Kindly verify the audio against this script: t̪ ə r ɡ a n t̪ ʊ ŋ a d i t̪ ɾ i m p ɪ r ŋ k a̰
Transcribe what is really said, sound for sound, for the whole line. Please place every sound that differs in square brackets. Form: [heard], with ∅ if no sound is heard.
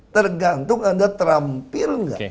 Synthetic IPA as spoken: t̪ ə r ɡ a n t̪ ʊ ŋ a d [a] t̪ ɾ [a] m p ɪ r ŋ [ɡ] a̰